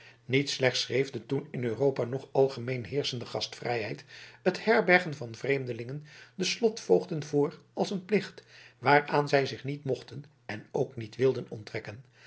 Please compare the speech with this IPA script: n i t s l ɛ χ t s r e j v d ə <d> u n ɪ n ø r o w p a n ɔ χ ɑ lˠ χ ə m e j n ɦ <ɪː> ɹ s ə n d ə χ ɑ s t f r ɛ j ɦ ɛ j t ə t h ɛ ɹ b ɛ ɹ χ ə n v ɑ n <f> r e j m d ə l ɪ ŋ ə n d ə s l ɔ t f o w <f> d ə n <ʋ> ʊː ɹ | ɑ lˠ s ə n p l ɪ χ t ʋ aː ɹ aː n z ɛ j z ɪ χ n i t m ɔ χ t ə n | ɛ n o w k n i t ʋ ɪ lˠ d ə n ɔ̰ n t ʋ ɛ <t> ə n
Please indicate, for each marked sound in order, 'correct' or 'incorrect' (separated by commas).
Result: incorrect, correct, incorrect, incorrect, incorrect, incorrect